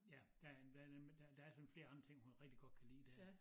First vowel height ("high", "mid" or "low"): low